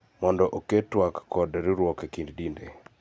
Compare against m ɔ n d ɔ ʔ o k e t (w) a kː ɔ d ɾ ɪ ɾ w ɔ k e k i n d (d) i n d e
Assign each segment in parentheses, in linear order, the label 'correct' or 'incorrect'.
correct, correct

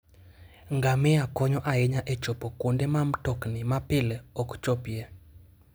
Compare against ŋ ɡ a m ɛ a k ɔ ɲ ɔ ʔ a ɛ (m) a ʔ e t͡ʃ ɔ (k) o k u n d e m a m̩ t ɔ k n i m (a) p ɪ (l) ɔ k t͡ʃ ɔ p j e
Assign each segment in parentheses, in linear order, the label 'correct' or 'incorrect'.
incorrect: ɲ, incorrect: p, correct, correct

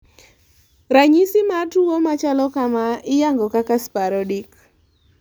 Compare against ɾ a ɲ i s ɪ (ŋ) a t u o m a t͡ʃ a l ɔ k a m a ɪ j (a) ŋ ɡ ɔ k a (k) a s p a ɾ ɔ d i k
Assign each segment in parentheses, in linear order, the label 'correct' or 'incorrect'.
incorrect: m, correct, correct

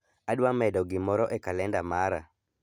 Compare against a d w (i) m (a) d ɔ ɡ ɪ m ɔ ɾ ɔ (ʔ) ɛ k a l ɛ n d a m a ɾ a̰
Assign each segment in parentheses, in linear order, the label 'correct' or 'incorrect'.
incorrect: a, incorrect: ɛ, correct

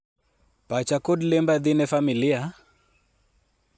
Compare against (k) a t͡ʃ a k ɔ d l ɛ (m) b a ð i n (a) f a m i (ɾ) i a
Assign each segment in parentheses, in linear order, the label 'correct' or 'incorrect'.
incorrect: p, correct, incorrect: ɛ, incorrect: l

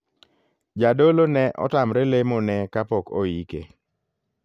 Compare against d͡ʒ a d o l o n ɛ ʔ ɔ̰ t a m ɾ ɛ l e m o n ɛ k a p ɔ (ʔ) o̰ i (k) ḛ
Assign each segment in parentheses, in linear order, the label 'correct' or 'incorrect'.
incorrect: k, correct

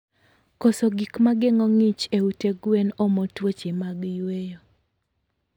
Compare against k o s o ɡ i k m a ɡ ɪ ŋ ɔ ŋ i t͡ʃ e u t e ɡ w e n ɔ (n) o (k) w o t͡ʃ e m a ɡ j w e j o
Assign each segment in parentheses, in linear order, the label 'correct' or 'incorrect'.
incorrect: m, incorrect: t

